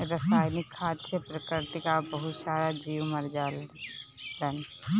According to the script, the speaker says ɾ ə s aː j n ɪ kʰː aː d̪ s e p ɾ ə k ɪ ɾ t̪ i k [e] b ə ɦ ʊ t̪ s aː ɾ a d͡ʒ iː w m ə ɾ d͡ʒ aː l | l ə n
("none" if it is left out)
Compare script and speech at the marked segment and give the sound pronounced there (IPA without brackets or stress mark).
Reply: a